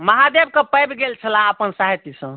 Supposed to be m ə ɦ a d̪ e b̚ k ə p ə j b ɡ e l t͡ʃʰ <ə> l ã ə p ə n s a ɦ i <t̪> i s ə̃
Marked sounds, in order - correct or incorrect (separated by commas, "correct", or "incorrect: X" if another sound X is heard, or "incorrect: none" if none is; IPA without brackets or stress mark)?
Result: correct, correct